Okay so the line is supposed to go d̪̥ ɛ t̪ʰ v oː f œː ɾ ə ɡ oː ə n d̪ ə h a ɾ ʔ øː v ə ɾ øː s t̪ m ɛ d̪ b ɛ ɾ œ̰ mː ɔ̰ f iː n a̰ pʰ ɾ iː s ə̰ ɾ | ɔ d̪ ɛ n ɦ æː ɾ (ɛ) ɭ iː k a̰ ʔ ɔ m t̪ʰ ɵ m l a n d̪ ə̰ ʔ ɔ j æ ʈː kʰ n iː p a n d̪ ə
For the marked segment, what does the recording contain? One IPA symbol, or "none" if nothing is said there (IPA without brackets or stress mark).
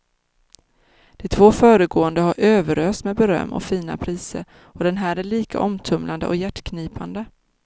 æ